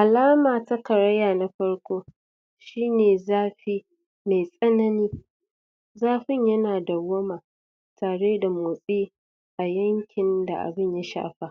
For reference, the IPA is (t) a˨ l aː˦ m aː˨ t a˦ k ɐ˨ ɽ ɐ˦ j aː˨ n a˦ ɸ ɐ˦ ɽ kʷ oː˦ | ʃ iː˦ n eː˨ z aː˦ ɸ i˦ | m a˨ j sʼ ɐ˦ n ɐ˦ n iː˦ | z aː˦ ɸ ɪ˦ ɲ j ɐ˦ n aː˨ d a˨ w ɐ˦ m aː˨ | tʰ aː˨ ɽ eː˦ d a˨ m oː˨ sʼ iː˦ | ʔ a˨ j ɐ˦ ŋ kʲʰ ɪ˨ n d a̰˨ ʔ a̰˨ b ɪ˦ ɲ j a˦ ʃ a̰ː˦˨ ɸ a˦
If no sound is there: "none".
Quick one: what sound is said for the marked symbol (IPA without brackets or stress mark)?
ʔ